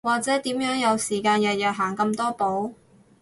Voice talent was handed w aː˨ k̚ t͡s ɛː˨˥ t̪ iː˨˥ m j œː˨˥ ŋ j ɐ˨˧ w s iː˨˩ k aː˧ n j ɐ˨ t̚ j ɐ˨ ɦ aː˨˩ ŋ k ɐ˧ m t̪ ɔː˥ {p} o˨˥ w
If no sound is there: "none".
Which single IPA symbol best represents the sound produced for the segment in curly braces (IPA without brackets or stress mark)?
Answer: p